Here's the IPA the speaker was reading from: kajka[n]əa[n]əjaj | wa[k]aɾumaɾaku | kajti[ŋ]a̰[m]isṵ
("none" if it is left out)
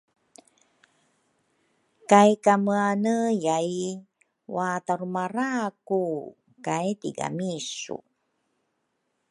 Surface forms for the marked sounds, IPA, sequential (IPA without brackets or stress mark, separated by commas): m, n, t, ɡ, m